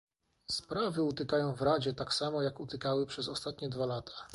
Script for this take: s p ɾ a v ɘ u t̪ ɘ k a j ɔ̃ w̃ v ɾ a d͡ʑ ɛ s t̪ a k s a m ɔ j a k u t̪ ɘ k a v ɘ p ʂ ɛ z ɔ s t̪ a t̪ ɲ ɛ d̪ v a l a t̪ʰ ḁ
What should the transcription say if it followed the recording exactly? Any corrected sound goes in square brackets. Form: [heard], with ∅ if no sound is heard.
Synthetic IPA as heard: s p ɾ a v ɘ u t̪ ɘ k a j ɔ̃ w̃ v ɾ a d͡ʑ ɛ [∅] t̪ a k s a m ɔ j a k u t̪ ɘ k a [w] ɘ p ʂ ɛ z ɔ s t̪ a t̪ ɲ ɛ d̪ v a l a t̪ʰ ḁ